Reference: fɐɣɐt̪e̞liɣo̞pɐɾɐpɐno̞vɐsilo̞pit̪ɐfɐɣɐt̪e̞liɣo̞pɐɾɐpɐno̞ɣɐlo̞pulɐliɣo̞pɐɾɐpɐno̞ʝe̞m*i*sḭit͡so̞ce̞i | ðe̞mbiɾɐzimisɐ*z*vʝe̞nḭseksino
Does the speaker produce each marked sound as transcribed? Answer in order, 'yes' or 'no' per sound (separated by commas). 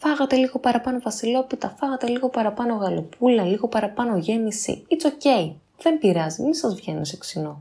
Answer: yes, yes